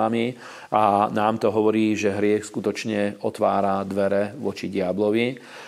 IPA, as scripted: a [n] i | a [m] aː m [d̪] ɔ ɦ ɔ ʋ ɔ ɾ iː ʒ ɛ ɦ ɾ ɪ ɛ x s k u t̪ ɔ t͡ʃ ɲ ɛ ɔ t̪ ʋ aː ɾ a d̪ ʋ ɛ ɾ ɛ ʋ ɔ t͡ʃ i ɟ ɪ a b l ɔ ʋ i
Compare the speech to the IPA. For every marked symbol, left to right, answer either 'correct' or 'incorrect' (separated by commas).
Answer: incorrect, incorrect, incorrect